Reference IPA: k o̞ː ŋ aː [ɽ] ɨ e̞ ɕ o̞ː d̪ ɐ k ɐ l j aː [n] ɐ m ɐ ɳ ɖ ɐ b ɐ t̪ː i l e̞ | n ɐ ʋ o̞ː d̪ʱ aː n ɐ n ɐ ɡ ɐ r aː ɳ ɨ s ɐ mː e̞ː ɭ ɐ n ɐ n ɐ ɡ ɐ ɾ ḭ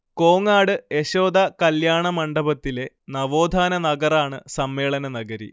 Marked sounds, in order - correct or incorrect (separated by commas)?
correct, incorrect